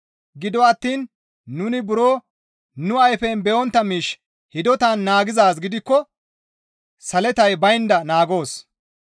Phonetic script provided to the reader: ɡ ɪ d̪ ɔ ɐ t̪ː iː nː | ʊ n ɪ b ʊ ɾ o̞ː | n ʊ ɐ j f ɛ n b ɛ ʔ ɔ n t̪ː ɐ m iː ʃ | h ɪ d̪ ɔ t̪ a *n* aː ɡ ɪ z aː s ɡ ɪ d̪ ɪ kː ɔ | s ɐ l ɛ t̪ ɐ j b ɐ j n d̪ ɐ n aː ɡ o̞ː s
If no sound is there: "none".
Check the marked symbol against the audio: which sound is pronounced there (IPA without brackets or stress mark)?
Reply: nː